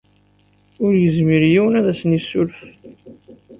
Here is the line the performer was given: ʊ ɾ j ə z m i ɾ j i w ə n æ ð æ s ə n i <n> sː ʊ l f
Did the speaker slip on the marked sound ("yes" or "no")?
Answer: yes